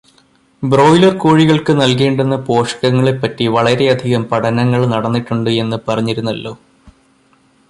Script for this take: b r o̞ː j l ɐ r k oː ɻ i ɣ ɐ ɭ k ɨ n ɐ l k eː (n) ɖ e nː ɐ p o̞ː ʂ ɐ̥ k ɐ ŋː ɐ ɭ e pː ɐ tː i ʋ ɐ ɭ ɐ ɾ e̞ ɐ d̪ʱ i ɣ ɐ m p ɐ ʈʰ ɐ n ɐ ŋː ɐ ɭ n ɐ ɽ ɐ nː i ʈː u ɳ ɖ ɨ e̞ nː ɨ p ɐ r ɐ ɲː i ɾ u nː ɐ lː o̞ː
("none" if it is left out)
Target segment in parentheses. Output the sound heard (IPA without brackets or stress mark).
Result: ɳ